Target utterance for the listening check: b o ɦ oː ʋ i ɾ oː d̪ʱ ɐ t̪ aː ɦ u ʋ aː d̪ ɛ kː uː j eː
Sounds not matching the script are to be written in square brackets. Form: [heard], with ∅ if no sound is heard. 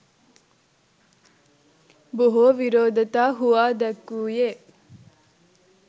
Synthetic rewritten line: b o ɦ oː ʋ i ɾ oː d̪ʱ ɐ t̪ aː ɦ u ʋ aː d̪ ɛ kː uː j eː

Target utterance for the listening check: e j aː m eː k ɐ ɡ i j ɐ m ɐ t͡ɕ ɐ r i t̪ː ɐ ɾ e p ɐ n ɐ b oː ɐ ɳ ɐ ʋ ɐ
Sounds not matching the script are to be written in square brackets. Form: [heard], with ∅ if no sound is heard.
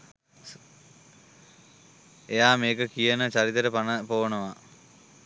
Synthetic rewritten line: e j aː m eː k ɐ [k] i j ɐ [n] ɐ t͡ɕ ɐ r i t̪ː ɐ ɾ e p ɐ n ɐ [p] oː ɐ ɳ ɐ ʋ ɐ

